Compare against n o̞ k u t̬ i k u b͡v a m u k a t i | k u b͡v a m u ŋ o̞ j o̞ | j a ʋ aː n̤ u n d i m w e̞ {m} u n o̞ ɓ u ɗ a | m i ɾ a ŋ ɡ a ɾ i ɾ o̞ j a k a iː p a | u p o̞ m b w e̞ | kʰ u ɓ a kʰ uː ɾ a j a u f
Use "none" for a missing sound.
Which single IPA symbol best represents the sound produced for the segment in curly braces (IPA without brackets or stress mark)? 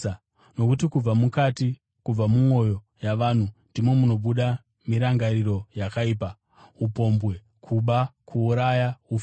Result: m